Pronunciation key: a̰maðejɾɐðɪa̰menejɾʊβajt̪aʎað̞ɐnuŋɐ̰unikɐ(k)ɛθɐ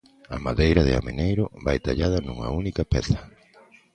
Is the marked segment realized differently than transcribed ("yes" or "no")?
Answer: yes